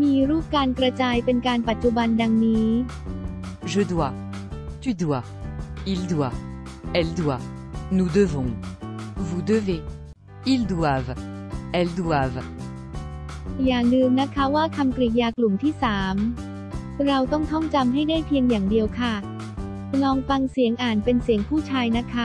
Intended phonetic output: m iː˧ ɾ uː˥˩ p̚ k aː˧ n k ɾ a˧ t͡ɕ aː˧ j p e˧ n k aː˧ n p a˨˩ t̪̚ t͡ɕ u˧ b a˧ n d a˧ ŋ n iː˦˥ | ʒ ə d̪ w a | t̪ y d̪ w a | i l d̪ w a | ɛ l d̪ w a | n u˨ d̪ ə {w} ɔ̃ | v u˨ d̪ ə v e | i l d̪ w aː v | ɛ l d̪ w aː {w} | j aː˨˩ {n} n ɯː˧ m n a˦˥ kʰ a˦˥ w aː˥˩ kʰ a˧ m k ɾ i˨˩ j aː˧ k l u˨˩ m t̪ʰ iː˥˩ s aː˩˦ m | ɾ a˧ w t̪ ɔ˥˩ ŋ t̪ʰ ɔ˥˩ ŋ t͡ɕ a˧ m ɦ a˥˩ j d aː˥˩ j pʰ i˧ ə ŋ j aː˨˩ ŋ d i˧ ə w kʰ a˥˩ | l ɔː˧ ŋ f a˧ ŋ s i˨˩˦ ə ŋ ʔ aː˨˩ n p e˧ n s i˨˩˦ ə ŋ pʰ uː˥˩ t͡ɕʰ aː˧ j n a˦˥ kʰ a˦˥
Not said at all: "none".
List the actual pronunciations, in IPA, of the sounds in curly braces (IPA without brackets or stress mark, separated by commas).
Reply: v, v, ŋ